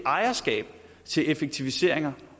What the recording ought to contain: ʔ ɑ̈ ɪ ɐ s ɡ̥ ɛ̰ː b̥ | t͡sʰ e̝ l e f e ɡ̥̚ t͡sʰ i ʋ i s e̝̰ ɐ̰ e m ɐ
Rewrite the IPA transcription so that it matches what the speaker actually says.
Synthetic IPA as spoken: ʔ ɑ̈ ɪ ɐ s ɡ̥ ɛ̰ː b̥ | t͡sʰ e̝ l e f e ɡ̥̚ t͡sʰ i ʋ i s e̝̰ ɐ̰ e ŋ ɐ